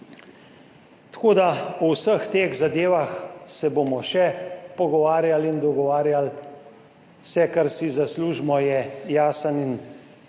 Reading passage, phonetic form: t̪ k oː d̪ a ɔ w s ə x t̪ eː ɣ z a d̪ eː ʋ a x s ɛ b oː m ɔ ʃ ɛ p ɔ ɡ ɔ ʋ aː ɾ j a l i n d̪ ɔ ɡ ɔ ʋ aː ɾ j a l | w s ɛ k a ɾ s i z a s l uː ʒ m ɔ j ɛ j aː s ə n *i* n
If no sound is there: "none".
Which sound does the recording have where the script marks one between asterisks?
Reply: i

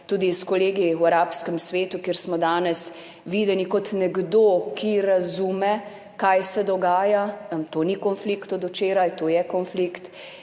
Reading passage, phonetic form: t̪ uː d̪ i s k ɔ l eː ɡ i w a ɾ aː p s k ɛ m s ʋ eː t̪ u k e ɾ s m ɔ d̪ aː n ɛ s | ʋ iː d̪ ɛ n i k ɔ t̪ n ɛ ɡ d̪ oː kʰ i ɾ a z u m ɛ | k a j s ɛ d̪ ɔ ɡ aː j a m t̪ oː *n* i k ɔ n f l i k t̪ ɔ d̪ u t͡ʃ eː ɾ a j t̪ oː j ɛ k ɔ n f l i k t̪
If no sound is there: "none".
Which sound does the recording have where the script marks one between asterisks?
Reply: n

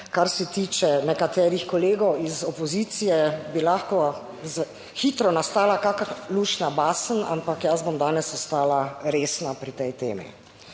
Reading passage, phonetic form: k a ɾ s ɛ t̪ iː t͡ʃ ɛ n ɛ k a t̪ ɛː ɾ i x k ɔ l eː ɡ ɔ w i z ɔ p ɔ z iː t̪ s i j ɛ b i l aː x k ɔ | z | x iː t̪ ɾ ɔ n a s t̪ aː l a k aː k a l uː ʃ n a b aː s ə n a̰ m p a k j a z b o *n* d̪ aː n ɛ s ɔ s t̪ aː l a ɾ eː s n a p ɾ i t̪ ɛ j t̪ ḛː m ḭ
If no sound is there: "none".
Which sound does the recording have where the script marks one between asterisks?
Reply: m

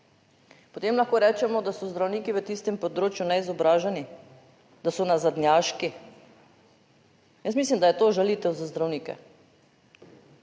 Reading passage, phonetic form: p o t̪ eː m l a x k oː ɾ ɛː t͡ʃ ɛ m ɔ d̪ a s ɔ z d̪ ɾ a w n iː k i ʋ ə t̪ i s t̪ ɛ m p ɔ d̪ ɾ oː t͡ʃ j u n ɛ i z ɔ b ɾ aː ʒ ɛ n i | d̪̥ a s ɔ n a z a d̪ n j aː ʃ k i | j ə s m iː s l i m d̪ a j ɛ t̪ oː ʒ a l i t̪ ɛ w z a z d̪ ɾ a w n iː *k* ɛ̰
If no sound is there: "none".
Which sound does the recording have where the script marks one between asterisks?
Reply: k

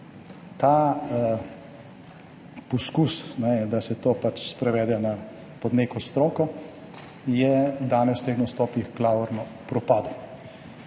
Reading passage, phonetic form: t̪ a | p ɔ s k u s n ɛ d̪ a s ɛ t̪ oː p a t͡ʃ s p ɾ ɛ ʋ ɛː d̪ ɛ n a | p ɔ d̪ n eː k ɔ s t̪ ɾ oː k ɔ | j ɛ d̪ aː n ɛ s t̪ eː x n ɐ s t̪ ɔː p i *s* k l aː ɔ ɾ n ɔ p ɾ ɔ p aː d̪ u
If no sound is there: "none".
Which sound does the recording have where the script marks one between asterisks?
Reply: x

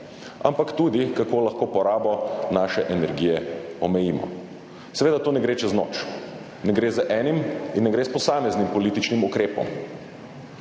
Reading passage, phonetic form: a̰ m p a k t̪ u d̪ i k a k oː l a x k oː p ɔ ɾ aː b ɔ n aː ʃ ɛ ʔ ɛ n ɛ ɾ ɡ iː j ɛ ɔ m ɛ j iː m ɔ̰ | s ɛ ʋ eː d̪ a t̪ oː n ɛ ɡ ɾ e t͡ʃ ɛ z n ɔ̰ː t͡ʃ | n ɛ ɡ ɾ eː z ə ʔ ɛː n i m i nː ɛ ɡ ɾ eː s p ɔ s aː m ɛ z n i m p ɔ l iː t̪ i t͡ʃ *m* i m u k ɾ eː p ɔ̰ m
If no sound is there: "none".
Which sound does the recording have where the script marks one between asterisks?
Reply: n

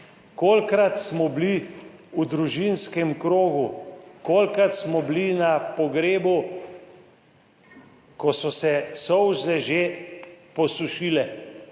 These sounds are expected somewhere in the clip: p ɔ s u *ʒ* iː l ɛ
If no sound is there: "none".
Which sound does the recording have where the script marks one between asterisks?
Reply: ʃ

